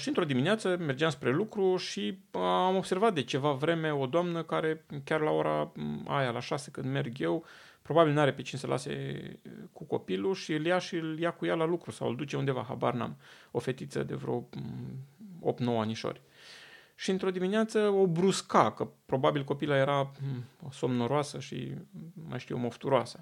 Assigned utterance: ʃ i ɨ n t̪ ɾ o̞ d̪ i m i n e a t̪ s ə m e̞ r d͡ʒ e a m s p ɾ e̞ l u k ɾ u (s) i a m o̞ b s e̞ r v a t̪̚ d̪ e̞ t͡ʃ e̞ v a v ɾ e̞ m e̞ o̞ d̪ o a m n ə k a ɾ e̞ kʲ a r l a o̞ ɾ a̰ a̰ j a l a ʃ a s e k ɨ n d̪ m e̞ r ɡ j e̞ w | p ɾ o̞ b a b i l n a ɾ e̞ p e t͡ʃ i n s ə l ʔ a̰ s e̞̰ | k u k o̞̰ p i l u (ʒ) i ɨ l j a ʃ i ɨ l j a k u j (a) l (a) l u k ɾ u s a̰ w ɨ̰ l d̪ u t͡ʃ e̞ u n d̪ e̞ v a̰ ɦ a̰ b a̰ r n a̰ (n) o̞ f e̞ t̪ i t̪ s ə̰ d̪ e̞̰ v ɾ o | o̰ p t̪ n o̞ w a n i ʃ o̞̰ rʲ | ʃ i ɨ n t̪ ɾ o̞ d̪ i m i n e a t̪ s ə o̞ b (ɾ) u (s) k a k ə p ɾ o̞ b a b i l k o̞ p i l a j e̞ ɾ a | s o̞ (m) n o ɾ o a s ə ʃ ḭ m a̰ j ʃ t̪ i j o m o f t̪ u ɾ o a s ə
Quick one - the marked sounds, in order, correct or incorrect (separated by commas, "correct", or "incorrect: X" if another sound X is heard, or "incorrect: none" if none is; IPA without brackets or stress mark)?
incorrect: ʃ, incorrect: ʃ, correct, correct, incorrect: m, correct, correct, correct